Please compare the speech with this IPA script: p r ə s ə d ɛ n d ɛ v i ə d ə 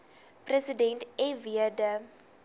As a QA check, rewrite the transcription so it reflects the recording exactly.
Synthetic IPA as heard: p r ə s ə d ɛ n t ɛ v i ə d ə

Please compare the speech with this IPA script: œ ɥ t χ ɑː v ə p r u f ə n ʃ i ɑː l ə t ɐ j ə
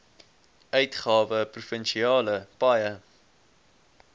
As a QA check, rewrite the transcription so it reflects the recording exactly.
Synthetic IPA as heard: œ ɥ t χ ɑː v ə p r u f ə n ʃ i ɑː l ə p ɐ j ə

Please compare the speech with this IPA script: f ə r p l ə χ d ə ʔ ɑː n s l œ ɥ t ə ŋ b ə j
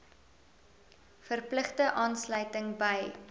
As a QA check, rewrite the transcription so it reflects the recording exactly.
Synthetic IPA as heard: f ə r p l ə χ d ə ʔ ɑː n s l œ ɥ t ə ŋ b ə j

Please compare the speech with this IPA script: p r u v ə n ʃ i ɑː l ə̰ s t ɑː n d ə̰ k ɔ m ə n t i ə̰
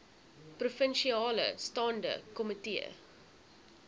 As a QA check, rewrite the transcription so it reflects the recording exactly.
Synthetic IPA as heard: p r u f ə n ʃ i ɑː l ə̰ s t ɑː n d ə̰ k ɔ m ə t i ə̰

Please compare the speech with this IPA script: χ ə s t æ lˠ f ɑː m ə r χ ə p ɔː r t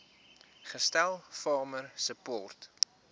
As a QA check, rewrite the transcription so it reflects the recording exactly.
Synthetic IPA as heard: χ ə s t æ lˠ f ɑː m ə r s ə p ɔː r t

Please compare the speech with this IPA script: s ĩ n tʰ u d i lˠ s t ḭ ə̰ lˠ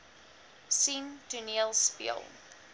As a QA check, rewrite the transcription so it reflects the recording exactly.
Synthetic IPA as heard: s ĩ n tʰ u n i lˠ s p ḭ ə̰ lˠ

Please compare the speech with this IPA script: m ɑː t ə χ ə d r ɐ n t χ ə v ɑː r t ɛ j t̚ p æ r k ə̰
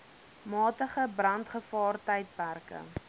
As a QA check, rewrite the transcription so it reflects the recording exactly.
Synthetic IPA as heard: m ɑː t ə χ ə b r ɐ n t χ ə f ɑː r t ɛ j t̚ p æ r k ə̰

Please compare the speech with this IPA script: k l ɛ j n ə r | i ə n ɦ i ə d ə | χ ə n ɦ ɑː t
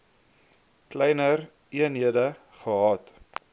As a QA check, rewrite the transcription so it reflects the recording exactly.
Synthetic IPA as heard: k l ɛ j n ə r | i ə n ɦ i ə d ə | χ ə ɦ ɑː t

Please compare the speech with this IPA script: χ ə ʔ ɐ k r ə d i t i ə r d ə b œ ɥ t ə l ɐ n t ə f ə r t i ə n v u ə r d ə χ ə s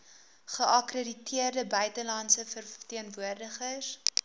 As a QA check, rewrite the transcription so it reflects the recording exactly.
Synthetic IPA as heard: χ ə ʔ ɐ k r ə d i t i ə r d ə b œ ɥ t ə l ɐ n s ə f ə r t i ə n v u ə r d ə χ ə s

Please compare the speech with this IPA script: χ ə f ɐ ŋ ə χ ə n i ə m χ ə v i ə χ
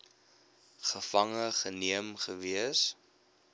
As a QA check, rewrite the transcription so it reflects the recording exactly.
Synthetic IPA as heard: χ ə f ɐ ŋ ə χ ə n i ə m χ ə v i ə s

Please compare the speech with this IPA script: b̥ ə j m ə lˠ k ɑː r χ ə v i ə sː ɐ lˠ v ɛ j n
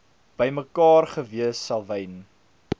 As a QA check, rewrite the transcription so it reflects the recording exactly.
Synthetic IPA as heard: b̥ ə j m ə k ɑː r χ ə v i ə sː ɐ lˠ v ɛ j n

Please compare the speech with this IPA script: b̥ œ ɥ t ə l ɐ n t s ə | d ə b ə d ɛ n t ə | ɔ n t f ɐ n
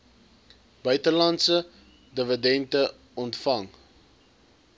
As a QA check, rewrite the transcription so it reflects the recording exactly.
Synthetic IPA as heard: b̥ œ ɥ t ə l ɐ n t s ə | d ə v ə d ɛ n t ə | ɔ n t f ɐ ŋ

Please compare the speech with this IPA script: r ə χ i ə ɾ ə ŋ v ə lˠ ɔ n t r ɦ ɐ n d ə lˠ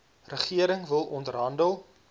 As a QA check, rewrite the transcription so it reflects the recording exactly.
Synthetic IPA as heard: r ə χ i ə ɾ ə ŋ v ə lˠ ɔ n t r ɦ ɐ n d ə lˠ

